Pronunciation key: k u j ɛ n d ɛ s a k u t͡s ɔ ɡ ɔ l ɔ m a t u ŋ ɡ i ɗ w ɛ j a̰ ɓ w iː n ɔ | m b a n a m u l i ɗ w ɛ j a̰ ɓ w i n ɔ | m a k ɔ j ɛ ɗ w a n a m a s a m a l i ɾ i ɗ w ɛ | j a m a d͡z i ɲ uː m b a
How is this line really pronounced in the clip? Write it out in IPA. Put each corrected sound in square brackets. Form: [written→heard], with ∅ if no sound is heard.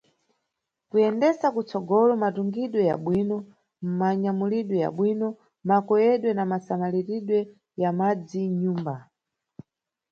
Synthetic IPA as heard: k u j ɛ n d ɛ s a k u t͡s ɔ ɡ ɔ l ɔ m a t u ŋ ɡ i ɗ w ɛ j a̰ ɓ w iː n ɔ | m [b→m] a [n→ɲ] a m u l i ɗ w ɛ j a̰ ɓ w i n ɔ | m a k ɔ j ɛ ɗ w [a→ɛ] n a m a s a m a l i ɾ i ɗ w ɛ | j a m a d͡z i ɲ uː m b a